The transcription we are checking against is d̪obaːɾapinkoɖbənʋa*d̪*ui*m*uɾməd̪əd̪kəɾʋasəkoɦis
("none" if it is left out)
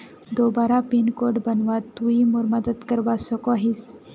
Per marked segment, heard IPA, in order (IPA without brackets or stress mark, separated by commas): t̪, m